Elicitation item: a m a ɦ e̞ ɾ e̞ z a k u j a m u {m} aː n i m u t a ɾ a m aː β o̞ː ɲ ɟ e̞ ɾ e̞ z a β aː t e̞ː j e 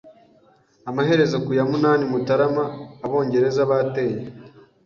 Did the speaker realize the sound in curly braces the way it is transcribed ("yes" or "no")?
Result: no